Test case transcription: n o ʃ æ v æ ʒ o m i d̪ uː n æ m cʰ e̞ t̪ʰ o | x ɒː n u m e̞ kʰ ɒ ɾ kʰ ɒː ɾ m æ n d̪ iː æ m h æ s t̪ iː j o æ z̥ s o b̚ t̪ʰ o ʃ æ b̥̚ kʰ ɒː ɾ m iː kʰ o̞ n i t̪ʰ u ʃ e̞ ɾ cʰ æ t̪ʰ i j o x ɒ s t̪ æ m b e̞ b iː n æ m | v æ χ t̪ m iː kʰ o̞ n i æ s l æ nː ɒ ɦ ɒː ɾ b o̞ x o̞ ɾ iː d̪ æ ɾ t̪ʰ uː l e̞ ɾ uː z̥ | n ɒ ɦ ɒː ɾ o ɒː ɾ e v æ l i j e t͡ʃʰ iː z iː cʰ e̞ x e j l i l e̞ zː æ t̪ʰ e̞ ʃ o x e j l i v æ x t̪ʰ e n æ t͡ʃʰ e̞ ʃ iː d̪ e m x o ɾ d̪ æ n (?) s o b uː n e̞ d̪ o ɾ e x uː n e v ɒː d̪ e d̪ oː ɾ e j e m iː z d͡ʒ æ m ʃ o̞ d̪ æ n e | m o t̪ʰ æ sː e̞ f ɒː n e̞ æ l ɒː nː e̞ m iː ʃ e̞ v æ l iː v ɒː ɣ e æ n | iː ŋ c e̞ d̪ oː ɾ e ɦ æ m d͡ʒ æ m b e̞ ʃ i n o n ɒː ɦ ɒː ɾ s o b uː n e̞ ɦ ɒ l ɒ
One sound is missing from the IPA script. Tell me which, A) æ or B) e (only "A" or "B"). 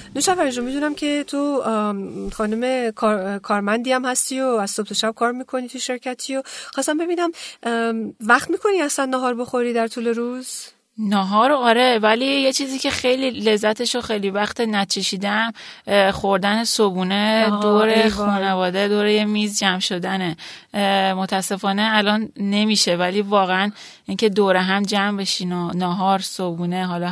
B